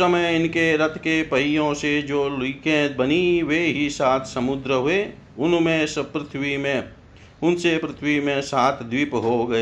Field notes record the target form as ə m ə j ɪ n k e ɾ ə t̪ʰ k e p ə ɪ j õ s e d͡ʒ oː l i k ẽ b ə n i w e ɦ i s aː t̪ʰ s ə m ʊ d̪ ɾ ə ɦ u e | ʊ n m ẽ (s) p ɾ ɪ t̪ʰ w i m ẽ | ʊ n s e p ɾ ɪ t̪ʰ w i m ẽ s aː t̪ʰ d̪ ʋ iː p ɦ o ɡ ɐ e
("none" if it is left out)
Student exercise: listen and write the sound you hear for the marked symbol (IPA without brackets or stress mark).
s